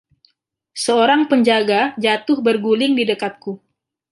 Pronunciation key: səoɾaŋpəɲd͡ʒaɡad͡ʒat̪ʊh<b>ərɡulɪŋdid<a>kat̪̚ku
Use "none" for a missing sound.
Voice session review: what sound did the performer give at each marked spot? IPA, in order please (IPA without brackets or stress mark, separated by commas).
b, ə